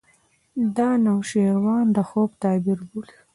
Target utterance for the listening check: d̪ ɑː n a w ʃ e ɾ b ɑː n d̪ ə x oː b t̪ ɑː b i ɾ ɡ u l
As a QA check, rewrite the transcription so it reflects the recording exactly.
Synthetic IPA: d̪ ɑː n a w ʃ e ɾ w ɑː n d̪ ə x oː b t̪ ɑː b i ɾ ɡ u l